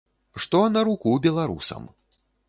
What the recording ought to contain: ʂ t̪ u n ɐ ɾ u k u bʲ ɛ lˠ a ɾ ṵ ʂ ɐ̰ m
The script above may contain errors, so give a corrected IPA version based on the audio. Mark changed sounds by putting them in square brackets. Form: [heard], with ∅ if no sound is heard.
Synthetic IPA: ʂ t̪ [ɔ] n ɐ ɾ u k u bʲ ɛ lˠ a ɾ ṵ [s] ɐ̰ m